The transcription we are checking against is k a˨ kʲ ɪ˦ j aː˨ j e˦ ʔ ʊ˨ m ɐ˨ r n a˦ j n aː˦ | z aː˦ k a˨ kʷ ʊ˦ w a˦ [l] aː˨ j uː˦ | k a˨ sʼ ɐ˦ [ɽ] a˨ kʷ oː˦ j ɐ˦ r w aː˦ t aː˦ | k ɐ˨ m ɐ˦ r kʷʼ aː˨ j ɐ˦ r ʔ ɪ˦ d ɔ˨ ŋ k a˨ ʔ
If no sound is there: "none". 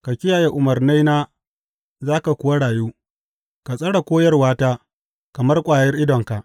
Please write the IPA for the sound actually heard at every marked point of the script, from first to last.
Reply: ɽ, ɽ

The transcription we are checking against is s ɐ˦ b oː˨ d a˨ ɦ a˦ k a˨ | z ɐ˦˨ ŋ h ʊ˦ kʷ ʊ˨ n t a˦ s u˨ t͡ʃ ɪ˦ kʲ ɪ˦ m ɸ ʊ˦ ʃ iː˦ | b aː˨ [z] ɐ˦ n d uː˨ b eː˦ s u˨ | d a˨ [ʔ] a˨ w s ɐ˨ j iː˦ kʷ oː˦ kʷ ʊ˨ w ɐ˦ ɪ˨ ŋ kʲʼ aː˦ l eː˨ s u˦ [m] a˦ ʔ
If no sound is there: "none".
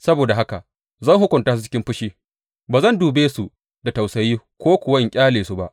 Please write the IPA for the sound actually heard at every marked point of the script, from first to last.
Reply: z, t, b

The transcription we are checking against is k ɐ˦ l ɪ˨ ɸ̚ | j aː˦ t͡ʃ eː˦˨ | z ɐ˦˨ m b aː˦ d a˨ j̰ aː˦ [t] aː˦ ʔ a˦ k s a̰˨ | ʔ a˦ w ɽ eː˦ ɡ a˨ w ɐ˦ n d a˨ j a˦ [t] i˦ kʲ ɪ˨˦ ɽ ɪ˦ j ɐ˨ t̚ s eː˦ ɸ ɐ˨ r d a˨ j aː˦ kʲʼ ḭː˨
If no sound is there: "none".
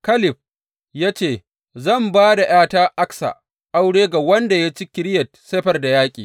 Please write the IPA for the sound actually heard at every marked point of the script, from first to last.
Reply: t, t͡ʃ

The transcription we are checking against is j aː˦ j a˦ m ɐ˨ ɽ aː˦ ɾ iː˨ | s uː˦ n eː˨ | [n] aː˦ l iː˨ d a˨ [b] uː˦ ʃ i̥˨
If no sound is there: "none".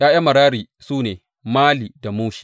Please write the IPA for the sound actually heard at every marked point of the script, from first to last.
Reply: m, m

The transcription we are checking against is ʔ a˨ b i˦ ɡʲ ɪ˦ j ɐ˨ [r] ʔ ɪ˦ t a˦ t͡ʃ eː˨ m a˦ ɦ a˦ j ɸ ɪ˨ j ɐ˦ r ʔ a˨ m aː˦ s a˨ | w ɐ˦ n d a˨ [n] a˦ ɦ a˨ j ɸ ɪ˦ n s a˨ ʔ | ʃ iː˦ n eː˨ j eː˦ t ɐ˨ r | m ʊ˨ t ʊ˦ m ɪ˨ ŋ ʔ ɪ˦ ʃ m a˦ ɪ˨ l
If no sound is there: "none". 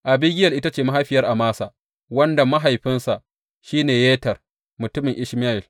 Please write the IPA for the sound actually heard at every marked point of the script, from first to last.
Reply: l, m

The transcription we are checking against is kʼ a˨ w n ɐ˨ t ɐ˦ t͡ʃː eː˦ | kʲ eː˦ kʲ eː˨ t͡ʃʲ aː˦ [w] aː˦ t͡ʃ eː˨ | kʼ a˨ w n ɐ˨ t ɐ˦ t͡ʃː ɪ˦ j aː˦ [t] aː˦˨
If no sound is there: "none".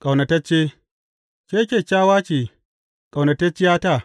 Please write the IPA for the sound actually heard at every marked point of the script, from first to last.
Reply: w, t

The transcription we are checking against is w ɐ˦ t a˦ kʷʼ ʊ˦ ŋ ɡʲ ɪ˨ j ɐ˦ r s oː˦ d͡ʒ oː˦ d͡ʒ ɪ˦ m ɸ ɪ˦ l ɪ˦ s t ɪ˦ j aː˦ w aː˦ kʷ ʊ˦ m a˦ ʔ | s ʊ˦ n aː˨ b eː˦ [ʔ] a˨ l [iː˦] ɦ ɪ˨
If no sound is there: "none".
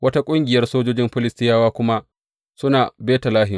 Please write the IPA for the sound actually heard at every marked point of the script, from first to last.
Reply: t, aː˦

